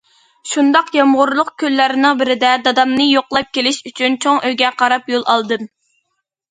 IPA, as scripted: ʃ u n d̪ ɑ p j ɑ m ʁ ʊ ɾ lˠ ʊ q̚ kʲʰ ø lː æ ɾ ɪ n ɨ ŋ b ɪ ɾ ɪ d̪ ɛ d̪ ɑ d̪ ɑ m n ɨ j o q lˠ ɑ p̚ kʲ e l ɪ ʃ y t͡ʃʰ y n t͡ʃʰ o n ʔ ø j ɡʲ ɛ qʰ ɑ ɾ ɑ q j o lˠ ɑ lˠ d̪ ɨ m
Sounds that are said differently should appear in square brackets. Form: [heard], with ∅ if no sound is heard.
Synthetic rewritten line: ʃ u n d̪ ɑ [q] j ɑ m ʁ ʊ ɾ lˠ ʊ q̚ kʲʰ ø lː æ ɾ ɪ n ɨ ŋ b ɪ ɾ ɪ d̪ ɛ d̪ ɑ d̪ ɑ m n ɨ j o q lˠ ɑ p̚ kʲ e l ɪ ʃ y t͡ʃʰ y n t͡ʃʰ o [ŋ] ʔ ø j ɡʲ ɛ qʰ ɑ ɾ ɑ [p] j o lˠ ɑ lˠ d̪ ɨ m